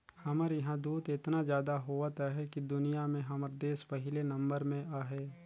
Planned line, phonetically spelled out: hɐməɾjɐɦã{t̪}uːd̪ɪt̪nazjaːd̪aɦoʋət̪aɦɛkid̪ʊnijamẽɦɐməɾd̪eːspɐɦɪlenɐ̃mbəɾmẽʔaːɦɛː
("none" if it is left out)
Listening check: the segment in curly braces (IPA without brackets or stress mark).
d̪